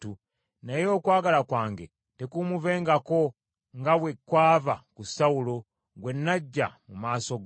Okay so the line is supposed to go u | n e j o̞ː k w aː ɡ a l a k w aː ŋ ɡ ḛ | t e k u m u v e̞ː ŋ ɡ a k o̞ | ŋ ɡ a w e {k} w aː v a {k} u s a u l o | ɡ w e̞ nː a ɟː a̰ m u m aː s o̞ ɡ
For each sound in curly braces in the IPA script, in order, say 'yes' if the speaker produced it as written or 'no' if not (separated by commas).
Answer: yes, yes